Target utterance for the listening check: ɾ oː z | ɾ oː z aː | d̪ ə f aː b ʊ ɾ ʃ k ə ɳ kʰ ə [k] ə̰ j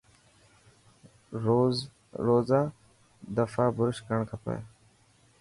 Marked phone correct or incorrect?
incorrect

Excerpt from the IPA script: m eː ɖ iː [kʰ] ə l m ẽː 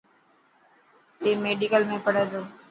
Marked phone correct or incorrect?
incorrect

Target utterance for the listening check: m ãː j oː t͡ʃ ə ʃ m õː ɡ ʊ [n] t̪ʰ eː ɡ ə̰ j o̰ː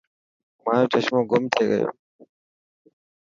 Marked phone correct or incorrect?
incorrect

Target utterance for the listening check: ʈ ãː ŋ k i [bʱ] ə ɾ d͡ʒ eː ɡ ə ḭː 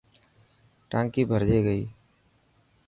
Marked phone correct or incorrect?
correct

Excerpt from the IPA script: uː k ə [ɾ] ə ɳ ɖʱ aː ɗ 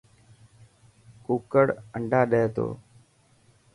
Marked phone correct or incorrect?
incorrect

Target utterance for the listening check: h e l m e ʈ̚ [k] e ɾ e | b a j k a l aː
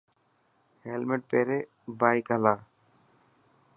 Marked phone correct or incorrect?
incorrect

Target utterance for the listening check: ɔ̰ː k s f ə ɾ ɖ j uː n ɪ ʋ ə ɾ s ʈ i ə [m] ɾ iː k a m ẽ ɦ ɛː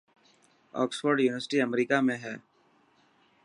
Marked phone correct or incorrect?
correct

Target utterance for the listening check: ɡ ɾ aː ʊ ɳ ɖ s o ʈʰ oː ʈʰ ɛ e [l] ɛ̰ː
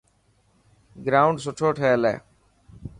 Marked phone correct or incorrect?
correct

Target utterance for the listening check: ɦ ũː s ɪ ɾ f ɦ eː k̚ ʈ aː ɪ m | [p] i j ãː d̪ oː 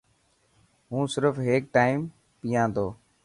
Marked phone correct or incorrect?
correct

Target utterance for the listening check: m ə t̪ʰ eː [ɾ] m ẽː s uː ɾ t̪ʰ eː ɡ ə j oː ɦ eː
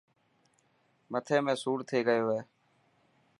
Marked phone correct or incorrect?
incorrect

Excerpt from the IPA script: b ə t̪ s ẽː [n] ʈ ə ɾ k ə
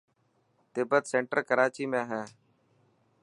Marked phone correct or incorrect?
incorrect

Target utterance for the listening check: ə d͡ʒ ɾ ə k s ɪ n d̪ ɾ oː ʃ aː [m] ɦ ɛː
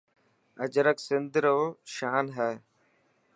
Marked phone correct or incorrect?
incorrect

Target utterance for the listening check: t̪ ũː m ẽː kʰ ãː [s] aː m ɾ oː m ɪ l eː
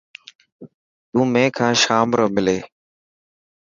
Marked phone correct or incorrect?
incorrect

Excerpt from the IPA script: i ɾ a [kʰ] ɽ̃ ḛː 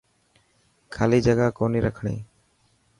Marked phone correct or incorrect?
correct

